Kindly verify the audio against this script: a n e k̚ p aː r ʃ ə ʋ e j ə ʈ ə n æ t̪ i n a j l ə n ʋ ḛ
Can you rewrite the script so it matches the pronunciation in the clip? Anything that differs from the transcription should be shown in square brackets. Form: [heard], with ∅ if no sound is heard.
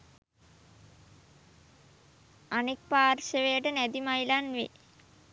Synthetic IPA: a n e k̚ p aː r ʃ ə ʋ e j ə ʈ ə n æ [d̪] i [m] a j l [a] n ʋ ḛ